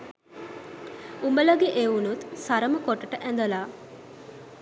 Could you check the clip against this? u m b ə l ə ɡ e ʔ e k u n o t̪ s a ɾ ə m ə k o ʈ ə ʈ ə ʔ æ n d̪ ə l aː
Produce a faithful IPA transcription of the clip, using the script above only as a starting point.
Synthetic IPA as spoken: u m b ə l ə ɡ e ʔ e u n u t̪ s a ɾ ə m ə k o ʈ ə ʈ ə ʔ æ n d̪ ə l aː